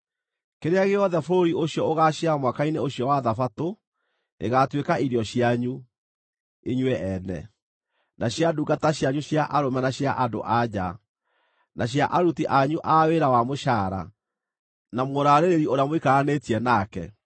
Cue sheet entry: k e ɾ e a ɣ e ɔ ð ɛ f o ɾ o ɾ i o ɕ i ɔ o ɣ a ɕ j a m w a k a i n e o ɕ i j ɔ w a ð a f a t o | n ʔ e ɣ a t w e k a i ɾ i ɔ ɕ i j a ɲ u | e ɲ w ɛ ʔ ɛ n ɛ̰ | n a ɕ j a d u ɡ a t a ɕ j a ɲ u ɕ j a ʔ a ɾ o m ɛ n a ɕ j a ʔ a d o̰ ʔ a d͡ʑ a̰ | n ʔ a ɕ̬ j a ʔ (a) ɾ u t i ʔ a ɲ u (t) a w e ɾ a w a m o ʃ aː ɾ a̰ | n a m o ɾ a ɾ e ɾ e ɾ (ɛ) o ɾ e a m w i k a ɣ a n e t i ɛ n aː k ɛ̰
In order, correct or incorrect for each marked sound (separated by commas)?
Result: correct, incorrect, incorrect